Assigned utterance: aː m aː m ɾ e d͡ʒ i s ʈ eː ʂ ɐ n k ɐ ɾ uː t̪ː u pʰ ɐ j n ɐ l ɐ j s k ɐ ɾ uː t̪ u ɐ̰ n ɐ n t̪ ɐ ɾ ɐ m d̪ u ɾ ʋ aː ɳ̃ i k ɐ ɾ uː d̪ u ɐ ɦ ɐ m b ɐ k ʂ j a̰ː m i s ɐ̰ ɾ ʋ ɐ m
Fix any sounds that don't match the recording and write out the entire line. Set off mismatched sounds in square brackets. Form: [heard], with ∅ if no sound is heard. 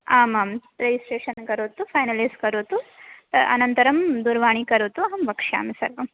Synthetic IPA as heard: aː m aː m ɾ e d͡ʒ i s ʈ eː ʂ ɐ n k ɐ ɾ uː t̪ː u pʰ ɐ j n ɐ l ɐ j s k ɐ ɾ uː t̪ u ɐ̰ n ɐ n t̪ ɐ ɾ ɐ m d̪ u ɾ ʋ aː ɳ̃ i k ɐ ɾ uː [t̪] u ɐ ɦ ɐ m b ɐ k ʂ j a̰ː m i s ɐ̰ ɾ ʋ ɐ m